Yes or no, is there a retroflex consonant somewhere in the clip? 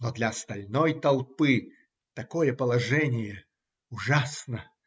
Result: yes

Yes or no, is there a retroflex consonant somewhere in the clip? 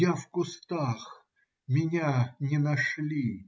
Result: yes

